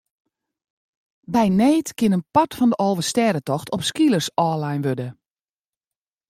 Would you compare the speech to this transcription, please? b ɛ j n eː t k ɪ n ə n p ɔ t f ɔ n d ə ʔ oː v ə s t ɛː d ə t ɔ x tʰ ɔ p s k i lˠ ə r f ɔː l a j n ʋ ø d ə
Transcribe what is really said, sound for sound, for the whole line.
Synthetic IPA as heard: b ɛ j n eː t k ɪ n ə n p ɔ t f ɔ n d ə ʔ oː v ə s t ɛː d ə t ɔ x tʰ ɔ p s k i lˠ ə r s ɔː l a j n ʋ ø d ə